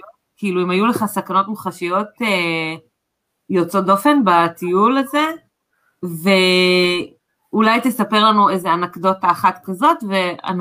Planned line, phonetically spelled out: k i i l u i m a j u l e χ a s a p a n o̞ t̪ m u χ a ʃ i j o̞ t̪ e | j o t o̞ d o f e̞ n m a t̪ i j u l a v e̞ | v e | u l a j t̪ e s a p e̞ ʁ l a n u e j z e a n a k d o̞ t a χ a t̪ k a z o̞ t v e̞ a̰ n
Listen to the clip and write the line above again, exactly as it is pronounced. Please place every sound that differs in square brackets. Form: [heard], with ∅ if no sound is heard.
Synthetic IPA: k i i l u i m a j u l e χ a s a [k] a n o̞ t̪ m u χ a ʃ i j o̞ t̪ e | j o [t͡s] o̞ d o f e̞ n [b] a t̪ i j u l a [z] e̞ | v e | u l a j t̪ e s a p e̞ ʁ l a n u e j z e a n a k d o̞ t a χ a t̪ k a z o̞ t v e̞ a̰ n